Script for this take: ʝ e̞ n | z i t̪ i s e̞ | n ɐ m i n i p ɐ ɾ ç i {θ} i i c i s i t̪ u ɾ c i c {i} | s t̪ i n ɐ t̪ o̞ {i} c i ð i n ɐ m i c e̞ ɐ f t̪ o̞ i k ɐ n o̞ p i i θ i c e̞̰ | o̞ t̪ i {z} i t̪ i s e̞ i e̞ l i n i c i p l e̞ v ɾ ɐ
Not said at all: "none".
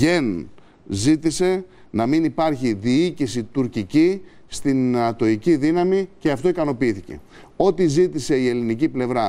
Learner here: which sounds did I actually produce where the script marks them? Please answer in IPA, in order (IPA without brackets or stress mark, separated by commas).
ð, i, i, z